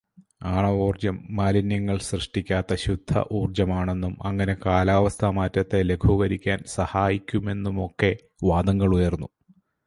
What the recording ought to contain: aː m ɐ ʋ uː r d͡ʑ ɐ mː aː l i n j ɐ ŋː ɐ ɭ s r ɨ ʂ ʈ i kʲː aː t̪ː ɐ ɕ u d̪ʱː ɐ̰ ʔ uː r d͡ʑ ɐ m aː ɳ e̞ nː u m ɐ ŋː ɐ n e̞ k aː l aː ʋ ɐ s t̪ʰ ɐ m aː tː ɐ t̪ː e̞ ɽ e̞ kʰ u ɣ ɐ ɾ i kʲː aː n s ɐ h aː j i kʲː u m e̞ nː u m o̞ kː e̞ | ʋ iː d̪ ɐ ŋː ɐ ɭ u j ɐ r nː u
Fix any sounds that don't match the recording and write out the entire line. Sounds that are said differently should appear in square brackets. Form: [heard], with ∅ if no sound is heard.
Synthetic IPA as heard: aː [ɳ] ɐ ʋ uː r d͡ʑ ɐ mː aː l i n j ɐ ŋː ɐ ɭ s r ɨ ʂ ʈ i kʲː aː t̪ː ɐ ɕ u d̪ʱː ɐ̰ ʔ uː r d͡ʑ ɐ m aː ɳ e̞ nː u m ɐ ŋː ɐ n e̞ k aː l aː ʋ ɐ s t̪ʰ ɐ m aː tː ɐ t̪ː e̞ [l] e̞ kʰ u ɣ ɐ ɾ i kʲː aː n s ɐ h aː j i kʲː u m e̞ nː u m o̞ kː e̞ | ʋ [aː] d̪ ɐ ŋː ɐ ɭ u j ɐ r nː u